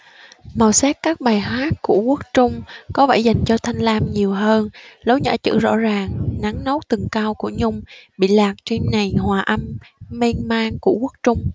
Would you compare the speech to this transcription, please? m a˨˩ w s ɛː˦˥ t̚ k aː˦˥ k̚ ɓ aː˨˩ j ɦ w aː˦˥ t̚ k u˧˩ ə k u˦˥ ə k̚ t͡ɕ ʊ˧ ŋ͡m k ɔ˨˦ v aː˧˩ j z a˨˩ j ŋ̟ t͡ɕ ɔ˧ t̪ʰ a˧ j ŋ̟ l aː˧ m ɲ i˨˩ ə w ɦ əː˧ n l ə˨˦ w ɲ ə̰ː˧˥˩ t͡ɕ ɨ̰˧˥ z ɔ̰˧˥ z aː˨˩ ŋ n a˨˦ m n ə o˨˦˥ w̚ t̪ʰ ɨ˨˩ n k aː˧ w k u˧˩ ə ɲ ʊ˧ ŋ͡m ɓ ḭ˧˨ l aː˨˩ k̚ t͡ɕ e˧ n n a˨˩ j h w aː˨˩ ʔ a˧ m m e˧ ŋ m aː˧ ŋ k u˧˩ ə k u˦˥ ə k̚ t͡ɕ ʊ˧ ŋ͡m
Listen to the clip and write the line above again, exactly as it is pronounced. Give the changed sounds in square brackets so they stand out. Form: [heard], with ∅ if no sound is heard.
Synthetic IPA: m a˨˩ w s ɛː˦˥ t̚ k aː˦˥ k̚ ɓ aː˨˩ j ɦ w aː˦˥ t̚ k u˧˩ ə k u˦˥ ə k̚ t͡ɕ ʊ˧ ŋ͡m k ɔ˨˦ v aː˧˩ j z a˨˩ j ŋ̟ t͡ɕ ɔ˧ t̪ʰ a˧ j ŋ̟ l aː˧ m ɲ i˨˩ ə w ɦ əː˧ n l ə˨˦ w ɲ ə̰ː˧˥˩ t͡ɕ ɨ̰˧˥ z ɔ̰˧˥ z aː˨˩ ŋ n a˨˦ [ŋ] n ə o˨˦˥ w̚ [t̪] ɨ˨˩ [ŋ] k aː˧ w k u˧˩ ə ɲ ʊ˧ ŋ͡m ɓ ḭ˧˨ l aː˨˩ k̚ t͡ɕ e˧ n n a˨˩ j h w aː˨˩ ʔ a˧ m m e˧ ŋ m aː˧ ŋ k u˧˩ ə k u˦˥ ə k̚ t͡ɕ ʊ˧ ŋ͡m